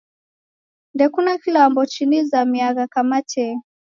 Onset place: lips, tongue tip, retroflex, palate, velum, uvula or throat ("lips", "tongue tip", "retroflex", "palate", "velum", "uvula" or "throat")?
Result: tongue tip